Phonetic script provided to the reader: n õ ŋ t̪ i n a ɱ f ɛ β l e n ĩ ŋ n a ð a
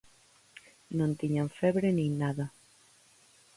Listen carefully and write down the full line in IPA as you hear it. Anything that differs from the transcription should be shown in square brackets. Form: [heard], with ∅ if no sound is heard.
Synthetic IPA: n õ [n] t̪ i [ɲ] a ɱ f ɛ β [ɾ] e n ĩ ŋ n a ð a